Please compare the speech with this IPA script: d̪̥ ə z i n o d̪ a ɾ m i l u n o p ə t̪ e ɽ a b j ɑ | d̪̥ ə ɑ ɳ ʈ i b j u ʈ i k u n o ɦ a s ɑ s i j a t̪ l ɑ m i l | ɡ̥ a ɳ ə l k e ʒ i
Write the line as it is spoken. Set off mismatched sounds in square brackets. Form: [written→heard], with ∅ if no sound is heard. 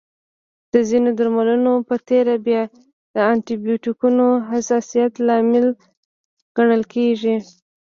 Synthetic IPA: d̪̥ ə z i n o d̪ a ɾ m [i→a] l u n o p ə t̪ e [ɽ→ɾ] a b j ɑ | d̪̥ ə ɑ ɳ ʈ i b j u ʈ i k u n o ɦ a s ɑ s i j a t̪ l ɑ m [i→ɪ] l | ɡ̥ a ɳ ə l k e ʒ i